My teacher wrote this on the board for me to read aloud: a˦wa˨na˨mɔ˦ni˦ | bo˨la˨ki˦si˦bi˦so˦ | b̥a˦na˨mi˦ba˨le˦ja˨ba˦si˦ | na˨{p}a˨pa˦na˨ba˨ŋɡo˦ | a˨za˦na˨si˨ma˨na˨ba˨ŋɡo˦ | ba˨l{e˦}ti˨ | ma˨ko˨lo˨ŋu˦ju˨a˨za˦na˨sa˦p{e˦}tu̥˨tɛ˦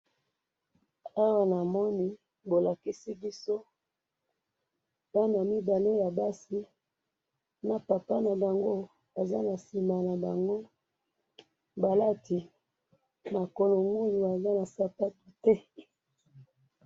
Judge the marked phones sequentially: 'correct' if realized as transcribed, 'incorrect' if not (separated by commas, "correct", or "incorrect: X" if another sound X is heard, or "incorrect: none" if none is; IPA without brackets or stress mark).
correct, incorrect: a˦, incorrect: a˦